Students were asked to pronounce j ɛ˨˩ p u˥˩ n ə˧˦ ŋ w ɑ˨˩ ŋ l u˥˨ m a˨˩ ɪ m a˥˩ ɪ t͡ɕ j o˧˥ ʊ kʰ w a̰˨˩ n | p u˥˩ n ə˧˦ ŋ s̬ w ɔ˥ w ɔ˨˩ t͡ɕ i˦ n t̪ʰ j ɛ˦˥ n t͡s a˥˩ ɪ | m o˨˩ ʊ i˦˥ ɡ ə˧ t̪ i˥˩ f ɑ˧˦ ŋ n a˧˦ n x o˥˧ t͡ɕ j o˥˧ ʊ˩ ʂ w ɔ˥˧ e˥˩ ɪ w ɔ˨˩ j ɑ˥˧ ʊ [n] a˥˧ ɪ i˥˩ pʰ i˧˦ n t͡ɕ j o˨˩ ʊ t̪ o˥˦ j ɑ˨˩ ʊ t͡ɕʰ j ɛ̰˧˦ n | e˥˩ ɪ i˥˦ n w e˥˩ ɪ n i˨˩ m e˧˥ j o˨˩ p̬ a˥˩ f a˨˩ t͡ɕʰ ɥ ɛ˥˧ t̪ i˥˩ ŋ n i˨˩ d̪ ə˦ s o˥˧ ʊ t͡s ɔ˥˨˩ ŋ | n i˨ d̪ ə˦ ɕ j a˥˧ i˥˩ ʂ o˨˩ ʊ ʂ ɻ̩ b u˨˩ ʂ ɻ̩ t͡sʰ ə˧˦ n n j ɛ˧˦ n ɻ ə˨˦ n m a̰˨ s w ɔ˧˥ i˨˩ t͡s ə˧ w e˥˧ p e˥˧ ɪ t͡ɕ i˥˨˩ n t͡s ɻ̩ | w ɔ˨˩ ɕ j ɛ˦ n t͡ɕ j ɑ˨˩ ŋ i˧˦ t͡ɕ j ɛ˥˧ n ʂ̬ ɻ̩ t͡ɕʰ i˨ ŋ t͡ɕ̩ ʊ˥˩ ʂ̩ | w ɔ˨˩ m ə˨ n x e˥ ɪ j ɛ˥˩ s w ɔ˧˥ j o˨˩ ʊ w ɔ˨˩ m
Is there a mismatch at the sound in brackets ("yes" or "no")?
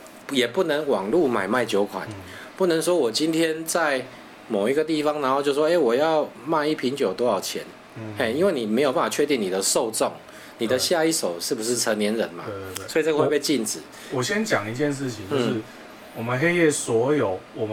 yes